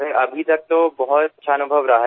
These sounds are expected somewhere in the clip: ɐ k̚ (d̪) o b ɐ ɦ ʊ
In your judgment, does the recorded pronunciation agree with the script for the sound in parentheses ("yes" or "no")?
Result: no